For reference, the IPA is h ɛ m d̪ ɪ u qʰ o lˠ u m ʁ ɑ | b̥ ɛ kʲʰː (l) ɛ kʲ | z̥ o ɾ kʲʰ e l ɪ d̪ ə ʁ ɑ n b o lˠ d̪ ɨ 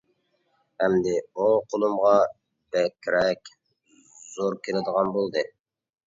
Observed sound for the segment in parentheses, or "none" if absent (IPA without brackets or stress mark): ɾ